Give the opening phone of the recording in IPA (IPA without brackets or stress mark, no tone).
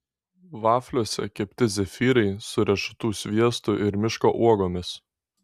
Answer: ʋ